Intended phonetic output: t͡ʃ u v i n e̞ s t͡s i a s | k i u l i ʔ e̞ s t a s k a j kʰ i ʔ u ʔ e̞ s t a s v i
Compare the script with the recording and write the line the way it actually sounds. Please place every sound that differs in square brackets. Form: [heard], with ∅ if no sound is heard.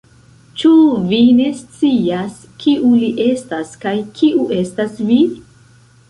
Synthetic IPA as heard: t͡ʃ u v i n e̞ s t͡s i a s | k i u l i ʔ e̞ s t a s k a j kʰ i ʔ u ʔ e̞ s t a s v i

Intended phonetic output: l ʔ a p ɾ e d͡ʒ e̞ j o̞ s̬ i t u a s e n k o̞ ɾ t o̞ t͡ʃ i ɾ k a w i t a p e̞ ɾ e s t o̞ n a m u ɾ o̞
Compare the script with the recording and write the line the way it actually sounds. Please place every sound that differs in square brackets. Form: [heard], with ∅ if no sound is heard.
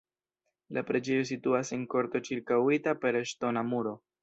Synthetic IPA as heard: l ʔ a p ɾ e d͡ʒ e̞ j o̞ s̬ i t u a s e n k o̞ ɾ t o̞ t͡ʃ i ɾ k a w i t a p e̞ ɾ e [ʃ] t o̞ n a m u ɾ o̞

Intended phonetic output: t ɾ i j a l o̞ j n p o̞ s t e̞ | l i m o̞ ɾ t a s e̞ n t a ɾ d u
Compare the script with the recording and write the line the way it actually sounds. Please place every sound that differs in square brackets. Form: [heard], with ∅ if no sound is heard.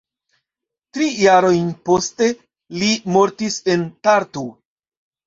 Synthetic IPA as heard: t ɾ i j a [ɾ] o̞ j n p o̞ s t e̞ | l i m o̞ ɾ t [i] s e̞ n t a ɾ [t] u

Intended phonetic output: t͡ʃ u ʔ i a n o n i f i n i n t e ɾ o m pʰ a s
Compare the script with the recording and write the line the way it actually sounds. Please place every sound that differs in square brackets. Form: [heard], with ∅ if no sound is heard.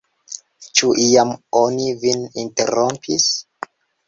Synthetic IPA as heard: t͡ʃ u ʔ i a [m] o n i [v] i n i n t e ɾ o m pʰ [i] s

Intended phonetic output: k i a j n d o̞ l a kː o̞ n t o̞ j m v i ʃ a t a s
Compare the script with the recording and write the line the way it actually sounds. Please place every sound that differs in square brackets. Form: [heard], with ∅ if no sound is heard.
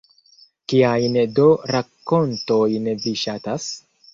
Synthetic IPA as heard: k i a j n d o̞ [ɾ] a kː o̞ n t o̞ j [n] v i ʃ a t a s

